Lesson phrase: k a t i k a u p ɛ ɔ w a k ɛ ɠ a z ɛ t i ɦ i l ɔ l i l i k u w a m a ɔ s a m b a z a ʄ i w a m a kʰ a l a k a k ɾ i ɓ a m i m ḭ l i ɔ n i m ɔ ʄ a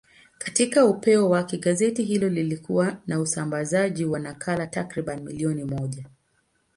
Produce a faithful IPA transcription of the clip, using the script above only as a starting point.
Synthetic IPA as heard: k a t i k a u p ɛ ɔ w a k ɛ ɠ a z ɛ t i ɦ i l ɔ l i l i k u w a n a u s a m b a z a ʄ i w a n a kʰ a l a t a k ɾ i ɓ a n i m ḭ l i ɔ n i m ɔ ʄ a